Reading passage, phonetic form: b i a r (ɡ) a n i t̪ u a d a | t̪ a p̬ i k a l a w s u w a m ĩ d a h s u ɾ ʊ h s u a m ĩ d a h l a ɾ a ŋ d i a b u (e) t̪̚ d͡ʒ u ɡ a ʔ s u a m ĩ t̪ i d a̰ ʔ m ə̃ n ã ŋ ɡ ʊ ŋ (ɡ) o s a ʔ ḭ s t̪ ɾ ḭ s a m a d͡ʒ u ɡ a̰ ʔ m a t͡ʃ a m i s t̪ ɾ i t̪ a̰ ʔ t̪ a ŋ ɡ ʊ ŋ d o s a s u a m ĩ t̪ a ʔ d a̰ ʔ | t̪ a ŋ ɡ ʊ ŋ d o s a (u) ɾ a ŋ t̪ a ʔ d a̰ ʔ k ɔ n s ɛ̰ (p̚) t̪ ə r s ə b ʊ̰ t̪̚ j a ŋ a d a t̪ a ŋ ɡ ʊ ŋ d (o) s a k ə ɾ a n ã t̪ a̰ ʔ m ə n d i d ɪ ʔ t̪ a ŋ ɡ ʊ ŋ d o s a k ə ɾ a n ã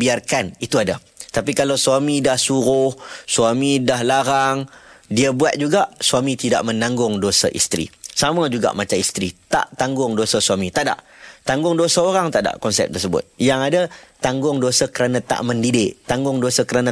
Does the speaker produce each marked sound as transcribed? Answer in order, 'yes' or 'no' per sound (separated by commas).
no, no, no, no, yes, yes